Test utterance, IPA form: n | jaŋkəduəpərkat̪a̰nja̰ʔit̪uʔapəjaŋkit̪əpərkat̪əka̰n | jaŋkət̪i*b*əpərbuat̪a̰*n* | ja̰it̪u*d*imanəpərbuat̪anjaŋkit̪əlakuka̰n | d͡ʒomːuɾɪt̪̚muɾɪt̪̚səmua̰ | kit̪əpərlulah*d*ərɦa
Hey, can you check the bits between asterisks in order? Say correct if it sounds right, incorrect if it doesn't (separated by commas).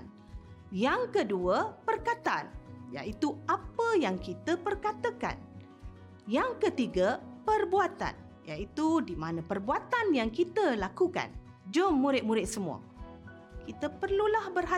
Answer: incorrect, correct, correct, incorrect